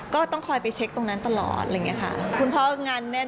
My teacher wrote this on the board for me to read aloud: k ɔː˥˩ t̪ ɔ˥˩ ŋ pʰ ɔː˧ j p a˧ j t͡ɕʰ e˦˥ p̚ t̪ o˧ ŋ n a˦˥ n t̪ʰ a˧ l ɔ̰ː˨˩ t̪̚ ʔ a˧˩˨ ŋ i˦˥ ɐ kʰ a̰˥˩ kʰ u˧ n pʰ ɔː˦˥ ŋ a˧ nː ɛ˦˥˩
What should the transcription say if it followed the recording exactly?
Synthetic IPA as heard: k ɔː˥˩ t̪ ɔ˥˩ ŋ kʰ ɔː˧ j p a˧ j t͡ɕʰ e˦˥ k̚ t̪ o˧ ŋ n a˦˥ n t̪ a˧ l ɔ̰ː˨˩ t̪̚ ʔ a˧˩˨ ŋ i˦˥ ɐ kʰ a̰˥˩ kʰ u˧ n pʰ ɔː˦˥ ŋ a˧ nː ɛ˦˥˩